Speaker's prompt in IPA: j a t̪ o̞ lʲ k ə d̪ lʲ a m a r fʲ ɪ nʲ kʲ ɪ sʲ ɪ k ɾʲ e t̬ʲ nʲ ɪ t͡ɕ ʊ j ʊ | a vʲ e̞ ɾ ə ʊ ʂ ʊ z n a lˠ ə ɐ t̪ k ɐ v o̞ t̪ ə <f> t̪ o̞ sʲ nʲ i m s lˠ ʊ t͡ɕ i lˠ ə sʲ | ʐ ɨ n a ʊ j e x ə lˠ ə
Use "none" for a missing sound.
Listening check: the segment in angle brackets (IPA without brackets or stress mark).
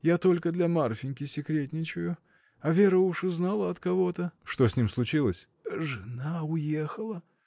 ʂ